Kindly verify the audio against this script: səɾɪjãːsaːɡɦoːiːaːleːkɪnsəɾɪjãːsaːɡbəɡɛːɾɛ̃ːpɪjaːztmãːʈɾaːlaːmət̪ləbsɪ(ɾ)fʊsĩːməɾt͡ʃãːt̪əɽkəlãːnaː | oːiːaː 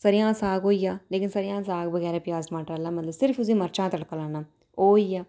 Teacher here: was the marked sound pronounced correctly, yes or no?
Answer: yes